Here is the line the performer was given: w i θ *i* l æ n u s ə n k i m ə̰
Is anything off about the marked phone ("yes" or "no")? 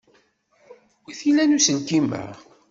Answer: no